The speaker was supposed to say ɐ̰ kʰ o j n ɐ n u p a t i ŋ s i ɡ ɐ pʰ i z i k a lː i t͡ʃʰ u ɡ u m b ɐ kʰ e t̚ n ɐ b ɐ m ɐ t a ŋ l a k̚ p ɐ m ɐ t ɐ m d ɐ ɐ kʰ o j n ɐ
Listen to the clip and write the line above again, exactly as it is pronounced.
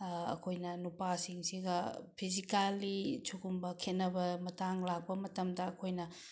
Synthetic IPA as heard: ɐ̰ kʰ o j n ɐ n u p a s i ŋ s i ɡ ɐ pʰ i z i k a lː i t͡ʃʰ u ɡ u m b ɐ kʰ e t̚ n ɐ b ɐ m ɐ t a ŋ l a k̚ p ɐ m ɐ t ɐ m d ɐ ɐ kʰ o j n ɐ